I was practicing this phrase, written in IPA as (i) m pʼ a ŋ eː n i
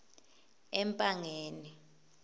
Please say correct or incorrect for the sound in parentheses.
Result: incorrect